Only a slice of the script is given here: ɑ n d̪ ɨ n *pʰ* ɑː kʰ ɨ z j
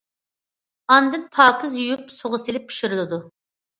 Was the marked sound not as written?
no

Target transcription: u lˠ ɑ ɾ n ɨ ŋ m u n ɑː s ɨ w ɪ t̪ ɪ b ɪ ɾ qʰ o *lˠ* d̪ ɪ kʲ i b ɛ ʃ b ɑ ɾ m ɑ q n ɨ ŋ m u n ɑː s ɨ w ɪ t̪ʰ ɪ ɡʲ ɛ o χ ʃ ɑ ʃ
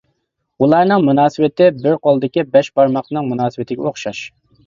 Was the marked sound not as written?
no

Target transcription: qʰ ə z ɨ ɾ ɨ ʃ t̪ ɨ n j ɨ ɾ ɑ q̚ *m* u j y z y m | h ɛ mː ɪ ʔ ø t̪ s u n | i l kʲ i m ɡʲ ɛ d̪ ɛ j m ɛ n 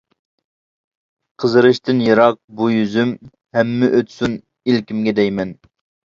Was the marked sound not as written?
yes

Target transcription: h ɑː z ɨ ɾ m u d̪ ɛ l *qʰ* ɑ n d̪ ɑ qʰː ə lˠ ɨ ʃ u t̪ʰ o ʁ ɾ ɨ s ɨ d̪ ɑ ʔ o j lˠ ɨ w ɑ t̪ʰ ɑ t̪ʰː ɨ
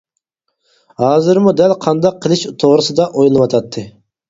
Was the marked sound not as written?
no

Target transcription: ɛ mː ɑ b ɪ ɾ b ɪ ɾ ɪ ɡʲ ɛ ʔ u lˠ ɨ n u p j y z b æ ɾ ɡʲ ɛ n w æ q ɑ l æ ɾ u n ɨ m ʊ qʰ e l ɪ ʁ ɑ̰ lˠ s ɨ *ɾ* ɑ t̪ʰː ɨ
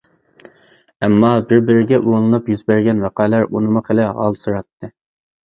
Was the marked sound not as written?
no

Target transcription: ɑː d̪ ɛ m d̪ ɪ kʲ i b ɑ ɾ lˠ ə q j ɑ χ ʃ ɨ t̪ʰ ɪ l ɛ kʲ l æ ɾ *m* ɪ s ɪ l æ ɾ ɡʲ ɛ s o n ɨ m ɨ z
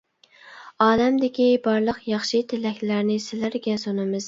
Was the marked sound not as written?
yes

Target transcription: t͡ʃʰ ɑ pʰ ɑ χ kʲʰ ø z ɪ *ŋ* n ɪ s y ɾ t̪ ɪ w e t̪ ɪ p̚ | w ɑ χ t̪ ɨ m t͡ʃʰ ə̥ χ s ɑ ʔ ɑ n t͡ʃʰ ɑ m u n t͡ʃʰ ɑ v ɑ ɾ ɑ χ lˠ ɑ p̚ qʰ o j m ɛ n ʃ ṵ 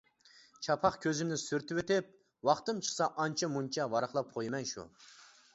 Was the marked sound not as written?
yes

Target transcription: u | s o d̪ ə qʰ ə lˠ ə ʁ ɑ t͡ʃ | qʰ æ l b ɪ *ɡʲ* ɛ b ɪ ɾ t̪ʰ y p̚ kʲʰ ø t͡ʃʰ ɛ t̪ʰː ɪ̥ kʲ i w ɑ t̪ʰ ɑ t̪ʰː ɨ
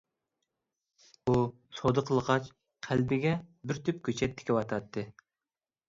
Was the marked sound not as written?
no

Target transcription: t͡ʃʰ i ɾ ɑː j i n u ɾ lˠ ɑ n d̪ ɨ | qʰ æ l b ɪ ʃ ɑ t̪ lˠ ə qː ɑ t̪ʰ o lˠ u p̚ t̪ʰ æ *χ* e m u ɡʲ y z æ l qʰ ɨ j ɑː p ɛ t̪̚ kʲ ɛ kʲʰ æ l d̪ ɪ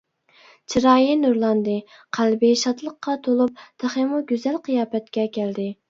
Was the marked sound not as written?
no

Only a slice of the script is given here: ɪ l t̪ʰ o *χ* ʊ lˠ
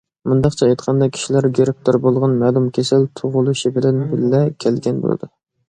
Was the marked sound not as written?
yes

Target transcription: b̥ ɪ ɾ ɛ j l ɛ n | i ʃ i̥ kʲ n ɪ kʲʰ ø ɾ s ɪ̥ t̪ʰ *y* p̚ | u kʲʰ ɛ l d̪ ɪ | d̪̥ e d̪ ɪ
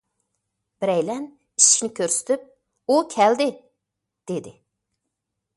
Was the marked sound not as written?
no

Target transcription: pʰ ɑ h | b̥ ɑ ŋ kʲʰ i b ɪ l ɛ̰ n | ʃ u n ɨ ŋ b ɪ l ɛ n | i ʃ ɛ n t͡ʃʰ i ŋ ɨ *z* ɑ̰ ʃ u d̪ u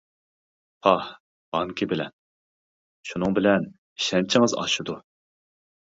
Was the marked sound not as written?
no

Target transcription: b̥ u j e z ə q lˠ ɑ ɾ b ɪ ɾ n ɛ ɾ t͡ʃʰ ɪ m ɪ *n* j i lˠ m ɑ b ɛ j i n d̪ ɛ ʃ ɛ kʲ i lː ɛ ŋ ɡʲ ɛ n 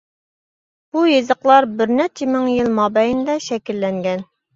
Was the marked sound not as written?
yes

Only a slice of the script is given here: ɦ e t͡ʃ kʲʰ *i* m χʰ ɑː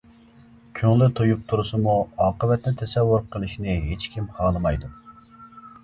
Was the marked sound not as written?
no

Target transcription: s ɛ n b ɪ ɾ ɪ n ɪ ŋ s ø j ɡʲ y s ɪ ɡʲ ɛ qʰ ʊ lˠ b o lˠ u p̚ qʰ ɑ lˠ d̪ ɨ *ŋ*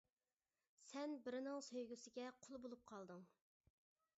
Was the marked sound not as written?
no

